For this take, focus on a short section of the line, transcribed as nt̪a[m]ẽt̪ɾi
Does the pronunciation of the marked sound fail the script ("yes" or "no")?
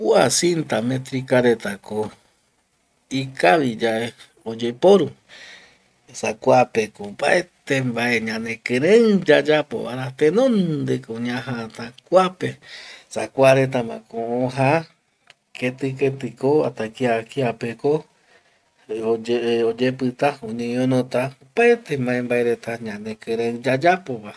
no